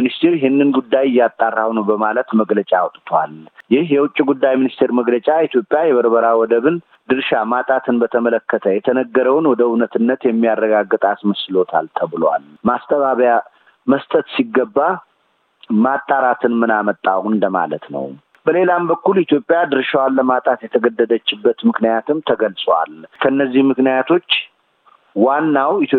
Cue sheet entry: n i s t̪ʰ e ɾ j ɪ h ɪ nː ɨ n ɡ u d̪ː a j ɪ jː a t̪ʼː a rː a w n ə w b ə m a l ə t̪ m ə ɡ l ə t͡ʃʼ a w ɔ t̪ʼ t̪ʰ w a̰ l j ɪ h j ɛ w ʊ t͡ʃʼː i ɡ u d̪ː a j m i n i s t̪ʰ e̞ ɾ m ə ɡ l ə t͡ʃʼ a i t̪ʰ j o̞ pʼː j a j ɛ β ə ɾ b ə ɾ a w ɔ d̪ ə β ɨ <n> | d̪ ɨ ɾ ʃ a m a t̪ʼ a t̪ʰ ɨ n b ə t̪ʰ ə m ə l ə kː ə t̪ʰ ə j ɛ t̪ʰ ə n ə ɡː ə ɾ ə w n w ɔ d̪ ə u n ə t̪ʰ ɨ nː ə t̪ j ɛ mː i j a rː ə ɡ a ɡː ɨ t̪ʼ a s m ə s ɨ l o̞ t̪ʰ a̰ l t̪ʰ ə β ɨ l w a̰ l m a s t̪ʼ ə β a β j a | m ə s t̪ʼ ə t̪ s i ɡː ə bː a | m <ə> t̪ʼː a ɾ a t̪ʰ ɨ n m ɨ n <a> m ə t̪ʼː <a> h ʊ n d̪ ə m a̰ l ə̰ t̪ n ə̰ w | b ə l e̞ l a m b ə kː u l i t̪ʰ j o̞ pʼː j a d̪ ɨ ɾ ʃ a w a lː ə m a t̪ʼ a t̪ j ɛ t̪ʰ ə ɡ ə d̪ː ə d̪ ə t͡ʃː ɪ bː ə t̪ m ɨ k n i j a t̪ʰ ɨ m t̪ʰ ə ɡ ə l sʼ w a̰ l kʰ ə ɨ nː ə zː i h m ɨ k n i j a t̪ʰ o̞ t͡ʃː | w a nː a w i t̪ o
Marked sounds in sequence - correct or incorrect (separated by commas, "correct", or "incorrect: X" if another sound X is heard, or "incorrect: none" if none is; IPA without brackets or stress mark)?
correct, incorrect: a, correct, correct